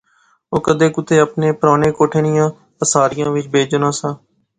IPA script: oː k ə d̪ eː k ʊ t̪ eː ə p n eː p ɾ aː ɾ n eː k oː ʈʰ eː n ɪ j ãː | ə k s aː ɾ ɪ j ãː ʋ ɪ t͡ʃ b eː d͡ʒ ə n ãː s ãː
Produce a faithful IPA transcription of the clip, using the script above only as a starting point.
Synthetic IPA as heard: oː k ə d̪ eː k ʊ t̪ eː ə p n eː p ɾ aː n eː k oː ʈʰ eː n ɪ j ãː | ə s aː ɾ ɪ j ãː ʋ ɪ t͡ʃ b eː d͡ʒ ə n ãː s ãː